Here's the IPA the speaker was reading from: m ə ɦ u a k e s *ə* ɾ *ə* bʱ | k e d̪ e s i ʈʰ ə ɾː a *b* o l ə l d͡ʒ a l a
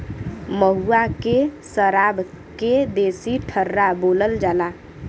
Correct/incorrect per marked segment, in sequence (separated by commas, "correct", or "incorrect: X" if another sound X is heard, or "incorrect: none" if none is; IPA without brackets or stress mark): correct, incorrect: a, correct